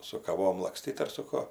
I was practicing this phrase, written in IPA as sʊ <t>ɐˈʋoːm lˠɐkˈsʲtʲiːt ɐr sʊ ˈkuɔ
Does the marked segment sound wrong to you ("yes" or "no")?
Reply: yes